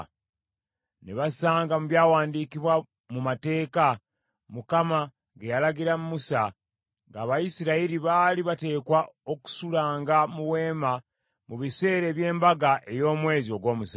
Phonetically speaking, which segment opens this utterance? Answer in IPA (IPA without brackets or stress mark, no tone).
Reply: n